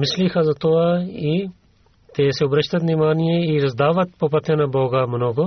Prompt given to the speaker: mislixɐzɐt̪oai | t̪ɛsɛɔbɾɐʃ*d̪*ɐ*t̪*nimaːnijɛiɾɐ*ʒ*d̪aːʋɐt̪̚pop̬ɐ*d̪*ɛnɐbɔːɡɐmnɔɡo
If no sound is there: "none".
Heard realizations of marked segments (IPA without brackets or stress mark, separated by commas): t̪, t̪, z, t̪